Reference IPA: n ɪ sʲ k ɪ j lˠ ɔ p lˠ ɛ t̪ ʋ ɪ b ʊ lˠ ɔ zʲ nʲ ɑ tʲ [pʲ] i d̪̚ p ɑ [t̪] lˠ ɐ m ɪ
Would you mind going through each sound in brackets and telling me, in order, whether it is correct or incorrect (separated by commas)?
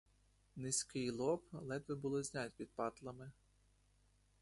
correct, correct